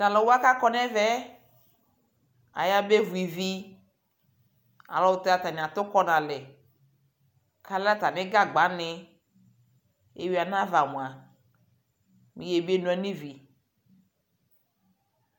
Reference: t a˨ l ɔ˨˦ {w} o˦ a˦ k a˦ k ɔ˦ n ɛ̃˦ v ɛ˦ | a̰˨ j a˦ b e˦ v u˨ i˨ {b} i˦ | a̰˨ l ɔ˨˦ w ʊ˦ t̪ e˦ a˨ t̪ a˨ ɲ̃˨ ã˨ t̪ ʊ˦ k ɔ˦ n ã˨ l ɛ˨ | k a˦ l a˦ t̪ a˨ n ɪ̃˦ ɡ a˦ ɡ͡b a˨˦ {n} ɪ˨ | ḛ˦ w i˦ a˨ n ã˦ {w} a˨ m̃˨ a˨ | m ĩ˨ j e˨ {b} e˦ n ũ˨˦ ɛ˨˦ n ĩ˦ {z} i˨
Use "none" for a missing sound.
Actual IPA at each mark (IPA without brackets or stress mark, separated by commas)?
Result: w, v, n, v, b, v